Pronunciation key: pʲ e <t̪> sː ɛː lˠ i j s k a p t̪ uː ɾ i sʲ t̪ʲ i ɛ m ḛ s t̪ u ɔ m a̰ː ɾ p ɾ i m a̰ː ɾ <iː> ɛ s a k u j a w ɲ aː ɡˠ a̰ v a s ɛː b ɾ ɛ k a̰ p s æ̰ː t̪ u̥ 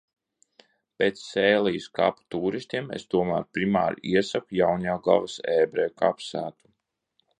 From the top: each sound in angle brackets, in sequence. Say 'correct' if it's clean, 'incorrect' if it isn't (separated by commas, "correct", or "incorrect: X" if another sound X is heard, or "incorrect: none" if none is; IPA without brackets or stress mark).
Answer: correct, incorrect: i